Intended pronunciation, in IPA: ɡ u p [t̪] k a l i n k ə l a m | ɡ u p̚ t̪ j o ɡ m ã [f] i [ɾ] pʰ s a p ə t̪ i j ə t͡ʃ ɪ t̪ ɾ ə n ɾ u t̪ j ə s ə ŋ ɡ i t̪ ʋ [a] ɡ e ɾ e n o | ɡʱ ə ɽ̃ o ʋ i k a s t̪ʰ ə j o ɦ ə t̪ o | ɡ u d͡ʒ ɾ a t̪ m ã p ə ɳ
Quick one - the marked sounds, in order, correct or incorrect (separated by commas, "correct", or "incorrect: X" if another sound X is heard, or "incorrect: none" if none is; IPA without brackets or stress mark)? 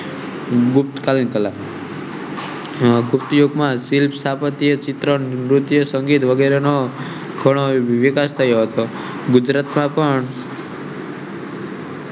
correct, incorrect: s, incorrect: l, incorrect: ə